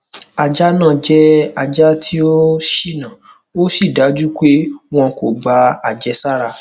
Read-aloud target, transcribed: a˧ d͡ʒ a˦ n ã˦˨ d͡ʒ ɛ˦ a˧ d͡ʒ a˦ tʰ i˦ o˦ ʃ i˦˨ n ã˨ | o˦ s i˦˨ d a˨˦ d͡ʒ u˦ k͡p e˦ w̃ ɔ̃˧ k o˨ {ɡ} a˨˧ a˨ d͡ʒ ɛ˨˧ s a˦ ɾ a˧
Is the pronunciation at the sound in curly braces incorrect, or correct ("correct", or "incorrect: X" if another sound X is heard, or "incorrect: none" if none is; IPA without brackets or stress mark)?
incorrect: ɡ͡b